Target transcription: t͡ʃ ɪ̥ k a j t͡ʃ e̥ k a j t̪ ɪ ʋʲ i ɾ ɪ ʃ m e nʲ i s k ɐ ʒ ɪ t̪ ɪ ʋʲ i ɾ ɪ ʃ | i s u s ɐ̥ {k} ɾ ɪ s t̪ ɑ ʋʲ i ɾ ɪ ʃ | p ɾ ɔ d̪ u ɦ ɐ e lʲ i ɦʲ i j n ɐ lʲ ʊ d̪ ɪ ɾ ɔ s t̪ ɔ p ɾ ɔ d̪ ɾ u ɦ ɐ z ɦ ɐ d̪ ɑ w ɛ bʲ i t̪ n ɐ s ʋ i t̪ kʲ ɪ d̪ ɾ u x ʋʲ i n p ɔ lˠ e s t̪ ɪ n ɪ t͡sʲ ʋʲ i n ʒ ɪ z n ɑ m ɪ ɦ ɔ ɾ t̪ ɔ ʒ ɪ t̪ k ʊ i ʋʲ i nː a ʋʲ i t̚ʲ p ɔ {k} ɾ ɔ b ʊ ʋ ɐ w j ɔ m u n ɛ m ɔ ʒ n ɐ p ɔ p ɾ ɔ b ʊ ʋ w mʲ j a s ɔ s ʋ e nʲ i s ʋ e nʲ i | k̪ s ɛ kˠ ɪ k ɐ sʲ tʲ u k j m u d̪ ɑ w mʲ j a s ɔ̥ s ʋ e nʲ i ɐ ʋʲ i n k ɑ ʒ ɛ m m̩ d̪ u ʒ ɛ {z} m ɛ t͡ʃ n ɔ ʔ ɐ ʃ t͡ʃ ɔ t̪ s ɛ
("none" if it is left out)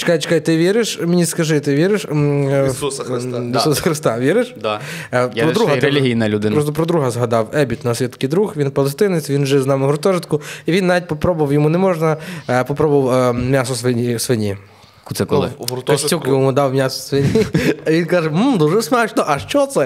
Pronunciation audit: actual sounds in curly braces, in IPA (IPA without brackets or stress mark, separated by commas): x, p, s